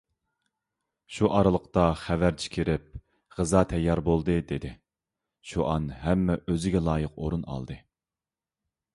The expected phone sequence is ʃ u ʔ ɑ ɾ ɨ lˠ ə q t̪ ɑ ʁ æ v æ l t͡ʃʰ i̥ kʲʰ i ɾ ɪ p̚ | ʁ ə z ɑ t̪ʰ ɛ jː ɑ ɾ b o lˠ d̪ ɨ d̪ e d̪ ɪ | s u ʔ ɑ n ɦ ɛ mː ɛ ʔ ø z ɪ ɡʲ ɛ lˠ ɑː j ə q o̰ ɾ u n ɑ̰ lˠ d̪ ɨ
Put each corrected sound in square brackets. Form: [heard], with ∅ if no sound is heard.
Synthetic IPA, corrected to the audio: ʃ u ʔ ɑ ɾ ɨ lˠ ə q t̪ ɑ [χ] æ v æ [ɾ] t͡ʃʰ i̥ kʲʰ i ɾ ɪ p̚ | ʁ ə z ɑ t̪ʰ ɛ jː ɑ ɾ b o lˠ d̪ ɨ d̪ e d̪ ɪ | [ʃ] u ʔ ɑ n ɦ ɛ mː ɛ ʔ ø z ɪ ɡʲ ɛ lˠ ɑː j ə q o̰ ɾ u n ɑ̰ lˠ d̪ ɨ